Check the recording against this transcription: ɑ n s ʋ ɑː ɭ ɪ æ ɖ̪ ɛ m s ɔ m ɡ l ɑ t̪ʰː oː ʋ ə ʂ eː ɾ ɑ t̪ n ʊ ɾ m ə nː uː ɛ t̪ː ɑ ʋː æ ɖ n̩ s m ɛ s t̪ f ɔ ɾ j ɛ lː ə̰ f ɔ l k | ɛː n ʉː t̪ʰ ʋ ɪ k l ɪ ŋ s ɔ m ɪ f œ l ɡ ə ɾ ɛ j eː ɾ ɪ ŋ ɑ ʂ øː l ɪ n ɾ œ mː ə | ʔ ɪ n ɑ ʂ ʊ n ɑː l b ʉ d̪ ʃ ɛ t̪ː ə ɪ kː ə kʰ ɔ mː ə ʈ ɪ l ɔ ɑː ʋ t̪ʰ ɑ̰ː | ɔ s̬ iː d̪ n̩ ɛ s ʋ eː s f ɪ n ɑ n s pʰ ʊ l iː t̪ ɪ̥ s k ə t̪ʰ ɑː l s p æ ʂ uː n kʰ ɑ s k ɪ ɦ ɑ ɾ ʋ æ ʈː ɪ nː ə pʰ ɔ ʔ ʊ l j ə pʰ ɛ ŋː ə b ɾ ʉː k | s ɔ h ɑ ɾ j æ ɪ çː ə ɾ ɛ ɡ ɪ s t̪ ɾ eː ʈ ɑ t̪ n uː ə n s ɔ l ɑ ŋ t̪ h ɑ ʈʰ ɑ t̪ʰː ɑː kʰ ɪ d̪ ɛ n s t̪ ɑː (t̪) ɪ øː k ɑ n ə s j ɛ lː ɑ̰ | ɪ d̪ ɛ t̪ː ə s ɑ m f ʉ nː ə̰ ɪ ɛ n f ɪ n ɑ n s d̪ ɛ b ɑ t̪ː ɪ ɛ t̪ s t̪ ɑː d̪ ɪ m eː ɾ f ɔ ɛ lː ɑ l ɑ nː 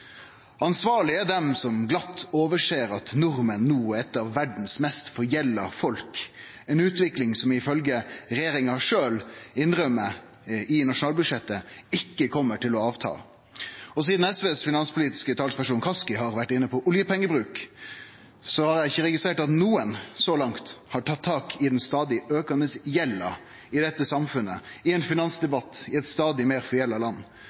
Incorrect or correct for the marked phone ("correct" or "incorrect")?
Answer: incorrect